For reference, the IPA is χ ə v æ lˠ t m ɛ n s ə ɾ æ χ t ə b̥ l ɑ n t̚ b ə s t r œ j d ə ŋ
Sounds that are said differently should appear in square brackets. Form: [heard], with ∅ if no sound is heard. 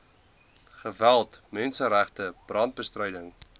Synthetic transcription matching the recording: χ ə v æ lˠ t m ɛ n s ə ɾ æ χ t ə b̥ [r] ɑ n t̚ b ə s t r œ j d ə ŋ